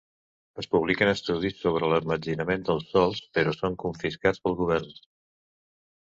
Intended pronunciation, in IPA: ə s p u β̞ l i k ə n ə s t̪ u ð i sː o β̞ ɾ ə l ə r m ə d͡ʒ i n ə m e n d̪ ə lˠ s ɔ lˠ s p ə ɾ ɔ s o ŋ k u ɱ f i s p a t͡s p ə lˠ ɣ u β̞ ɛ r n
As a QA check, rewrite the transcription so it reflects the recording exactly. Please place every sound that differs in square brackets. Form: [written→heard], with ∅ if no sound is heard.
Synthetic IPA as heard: ə s p u β̞ l i k ə n ə s t̪ u ð i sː o β̞ ɾ ə l ə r m ə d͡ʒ i n ə m e n d̪ ə lˠ s ɔ lˠ s p ə ɾ ɔ s o ŋ k u ɱ f i s [p→k] a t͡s p ə lˠ ɣ u β̞ ɛ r n

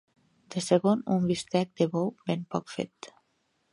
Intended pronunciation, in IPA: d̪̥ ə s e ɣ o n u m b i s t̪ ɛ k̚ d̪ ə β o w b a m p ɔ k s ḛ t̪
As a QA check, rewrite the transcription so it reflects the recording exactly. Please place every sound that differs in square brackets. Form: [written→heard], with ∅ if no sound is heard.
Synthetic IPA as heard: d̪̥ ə s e ɣ o n u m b i s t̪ ɛ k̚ d̪ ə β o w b [a→e] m p ɔ k [s→f] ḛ t̪

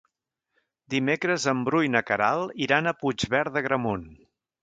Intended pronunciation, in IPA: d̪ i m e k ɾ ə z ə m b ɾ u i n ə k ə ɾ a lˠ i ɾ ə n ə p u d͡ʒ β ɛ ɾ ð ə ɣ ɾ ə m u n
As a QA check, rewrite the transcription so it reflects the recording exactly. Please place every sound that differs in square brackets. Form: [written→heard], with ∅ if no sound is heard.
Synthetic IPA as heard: d̪ i m e k ɾ ə z ə m b ɾ u [i→j] n ə k ə ɾ a lˠ i ɾ [ə→a] n ə p u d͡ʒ β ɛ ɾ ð ə ɣ ɾ ə m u n

